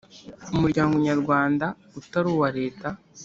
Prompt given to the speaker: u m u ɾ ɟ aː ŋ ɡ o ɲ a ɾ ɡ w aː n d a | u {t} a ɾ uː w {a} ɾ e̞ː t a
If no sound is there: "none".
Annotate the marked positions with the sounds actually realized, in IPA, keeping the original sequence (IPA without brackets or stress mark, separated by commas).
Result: t, a